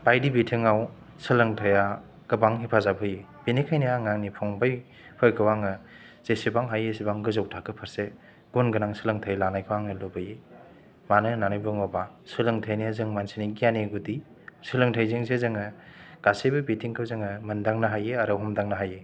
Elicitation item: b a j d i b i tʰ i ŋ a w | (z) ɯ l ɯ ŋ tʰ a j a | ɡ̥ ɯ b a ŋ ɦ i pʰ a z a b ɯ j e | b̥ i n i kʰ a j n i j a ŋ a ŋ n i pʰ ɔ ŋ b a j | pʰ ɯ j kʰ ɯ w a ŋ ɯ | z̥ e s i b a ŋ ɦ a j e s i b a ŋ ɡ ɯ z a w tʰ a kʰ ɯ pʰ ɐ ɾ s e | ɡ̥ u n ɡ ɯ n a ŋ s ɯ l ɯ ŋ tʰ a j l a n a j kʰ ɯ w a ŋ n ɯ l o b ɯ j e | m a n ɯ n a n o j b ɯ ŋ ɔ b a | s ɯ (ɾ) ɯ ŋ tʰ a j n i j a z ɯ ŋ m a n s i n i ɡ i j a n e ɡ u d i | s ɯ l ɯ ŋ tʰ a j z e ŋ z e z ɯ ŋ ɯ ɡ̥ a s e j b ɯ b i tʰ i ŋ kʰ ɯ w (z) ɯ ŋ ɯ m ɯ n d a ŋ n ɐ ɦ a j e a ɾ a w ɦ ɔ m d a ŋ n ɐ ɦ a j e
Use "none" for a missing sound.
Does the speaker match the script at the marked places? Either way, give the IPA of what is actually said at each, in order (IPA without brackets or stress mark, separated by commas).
s, l, z